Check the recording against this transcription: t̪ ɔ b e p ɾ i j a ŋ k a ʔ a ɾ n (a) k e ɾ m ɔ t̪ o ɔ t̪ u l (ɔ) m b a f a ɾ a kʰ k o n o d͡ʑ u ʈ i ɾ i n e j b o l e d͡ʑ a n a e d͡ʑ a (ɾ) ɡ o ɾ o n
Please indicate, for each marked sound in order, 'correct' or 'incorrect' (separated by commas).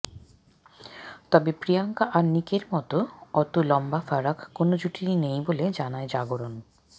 incorrect, correct, incorrect